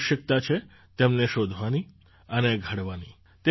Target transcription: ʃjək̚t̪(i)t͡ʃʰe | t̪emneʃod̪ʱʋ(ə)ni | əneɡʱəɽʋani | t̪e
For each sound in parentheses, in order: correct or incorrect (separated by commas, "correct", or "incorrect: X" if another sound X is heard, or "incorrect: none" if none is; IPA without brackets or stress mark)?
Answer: incorrect: a, incorrect: a